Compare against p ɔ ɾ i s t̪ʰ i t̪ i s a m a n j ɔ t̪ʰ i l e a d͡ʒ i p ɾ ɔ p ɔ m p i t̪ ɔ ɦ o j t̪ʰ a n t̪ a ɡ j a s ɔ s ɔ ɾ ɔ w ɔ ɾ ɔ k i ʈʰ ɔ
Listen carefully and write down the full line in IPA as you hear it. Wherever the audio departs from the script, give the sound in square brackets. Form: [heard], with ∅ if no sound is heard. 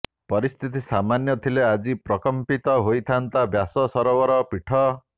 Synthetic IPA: p ɔ ɾ i s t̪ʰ i t̪ i s a m a n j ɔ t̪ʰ i l e a d͡ʒ i p ɾ ɔ [k] ɔ m p i t̪ ɔ ɦ o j t̪ʰ a n t̪ a [b] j a s ɔ s ɔ ɾ ɔ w ɔ ɾ ɔ [p] i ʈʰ ɔ